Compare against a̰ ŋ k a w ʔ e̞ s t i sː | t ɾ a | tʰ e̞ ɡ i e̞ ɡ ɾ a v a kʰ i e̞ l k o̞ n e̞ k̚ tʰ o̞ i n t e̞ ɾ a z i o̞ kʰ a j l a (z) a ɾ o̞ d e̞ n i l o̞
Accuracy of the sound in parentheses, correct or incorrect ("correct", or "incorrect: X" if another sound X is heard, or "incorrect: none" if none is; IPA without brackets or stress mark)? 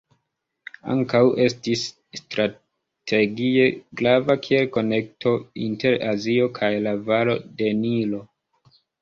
incorrect: v